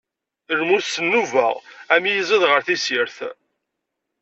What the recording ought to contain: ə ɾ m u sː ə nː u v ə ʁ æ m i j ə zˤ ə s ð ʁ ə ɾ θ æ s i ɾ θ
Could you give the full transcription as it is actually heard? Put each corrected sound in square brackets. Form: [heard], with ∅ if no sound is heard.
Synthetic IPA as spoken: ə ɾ m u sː ə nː u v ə ʁ æ m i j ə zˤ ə [∅] ð ʁ ə ɾ θ [i] s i ɾ θ

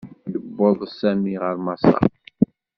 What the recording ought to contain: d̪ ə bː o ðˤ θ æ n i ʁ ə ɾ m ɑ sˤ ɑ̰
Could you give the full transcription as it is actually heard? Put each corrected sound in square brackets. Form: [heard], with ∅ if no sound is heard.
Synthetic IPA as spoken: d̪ ə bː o ðˤ [s] æ [m] i ʁ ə ɾ m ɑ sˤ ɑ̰

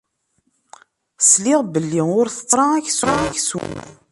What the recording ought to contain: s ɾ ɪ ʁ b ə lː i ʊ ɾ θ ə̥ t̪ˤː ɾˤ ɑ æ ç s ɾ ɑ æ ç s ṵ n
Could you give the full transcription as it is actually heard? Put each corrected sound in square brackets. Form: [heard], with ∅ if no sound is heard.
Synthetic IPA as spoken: s [l] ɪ ʁ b ə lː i ʊ ɾ θ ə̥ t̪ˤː ɾˤ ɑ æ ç s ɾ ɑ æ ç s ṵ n

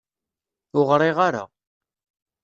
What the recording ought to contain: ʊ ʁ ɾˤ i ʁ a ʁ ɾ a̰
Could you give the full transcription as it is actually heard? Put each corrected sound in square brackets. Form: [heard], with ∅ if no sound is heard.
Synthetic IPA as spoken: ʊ ʁ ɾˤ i ʁ a [∅] ɾ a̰

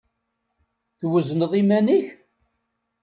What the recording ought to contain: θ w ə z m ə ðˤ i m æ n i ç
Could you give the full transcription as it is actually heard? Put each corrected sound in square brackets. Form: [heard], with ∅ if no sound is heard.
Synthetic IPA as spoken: θ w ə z [n] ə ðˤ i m æ n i ç

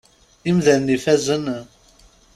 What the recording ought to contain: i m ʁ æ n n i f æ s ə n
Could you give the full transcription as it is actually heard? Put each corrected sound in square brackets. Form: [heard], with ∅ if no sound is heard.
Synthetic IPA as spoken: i m [ð] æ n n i f æ [z] ə n

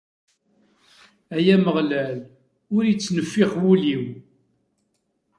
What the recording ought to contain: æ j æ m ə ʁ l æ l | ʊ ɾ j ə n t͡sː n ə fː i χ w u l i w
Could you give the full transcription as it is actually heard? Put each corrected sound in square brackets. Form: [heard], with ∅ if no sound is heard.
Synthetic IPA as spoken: æ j æ m ə ʁ l æ l | ʊ ɾ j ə [∅] t͡sː n ə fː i χ w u l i w

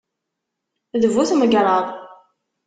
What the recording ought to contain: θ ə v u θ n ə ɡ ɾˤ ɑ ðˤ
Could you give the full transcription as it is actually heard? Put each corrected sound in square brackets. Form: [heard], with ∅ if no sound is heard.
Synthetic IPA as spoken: [ð] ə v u θ [m] ə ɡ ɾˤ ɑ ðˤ

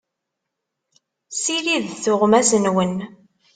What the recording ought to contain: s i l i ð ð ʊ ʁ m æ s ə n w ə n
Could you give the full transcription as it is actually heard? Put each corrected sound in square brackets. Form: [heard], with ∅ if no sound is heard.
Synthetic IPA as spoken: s i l i ð [θ] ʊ ʁ m æ s ə n w ə n

